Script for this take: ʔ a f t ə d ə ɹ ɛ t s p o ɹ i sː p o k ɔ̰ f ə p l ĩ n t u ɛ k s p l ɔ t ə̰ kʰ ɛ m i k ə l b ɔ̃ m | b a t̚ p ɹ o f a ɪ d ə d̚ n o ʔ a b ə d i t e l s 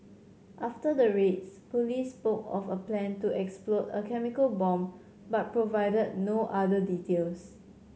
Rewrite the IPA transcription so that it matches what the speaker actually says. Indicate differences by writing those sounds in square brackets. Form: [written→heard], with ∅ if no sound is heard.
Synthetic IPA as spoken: ʔ a f t ə d ə ɹ [ɛ→e] t s p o [ɹ→l] i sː p o k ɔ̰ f ə p l [ĩ→ɛ̃] n t u ɛ k s p l ɔ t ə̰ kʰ ɛ m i k ə l b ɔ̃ m | b a t̚ p ɹ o [f→v] a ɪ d ə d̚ n o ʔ a [b→d] ə d i t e l s